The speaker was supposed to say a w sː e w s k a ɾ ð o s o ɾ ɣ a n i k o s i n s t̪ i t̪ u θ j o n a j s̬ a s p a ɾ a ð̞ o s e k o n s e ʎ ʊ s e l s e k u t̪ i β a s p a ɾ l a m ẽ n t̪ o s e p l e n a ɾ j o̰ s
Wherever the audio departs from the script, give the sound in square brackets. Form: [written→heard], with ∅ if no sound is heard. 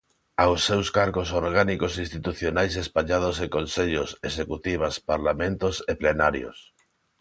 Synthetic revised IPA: a w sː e w s k a ɾ [ð→ɣ] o s o ɾ ɣ a n i k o s i n s t̪ i t̪ u θ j o n a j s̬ [a→e] s p a [ɾ→ʎ] a ð̞ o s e k o n s e ʎ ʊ s e [l→∅] s e k u t̪ i β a s p a ɾ l a m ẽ n t̪ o s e p l e n a ɾ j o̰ s